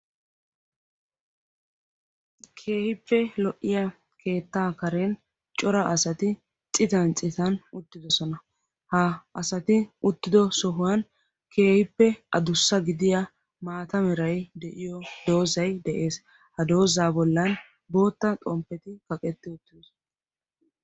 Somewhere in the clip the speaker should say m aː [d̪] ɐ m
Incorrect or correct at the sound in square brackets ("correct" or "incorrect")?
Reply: incorrect